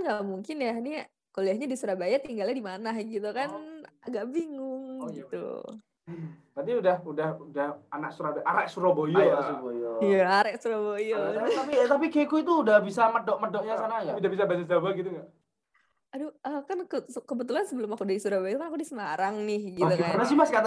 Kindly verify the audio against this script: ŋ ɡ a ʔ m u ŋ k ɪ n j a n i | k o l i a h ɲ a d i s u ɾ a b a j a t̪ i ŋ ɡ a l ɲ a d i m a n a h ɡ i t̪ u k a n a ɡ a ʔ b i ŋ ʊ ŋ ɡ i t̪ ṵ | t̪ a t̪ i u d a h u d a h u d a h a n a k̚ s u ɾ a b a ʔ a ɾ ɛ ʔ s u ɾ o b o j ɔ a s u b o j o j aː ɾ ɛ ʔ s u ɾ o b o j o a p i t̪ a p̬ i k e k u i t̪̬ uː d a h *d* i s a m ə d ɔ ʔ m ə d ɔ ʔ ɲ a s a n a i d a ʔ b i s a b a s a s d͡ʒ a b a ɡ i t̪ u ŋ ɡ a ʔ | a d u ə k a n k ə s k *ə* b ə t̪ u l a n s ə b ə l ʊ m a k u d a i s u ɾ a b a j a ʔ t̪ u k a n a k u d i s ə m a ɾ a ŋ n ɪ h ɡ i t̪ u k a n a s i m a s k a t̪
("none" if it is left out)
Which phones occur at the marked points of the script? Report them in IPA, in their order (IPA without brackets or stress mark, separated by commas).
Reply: b, ə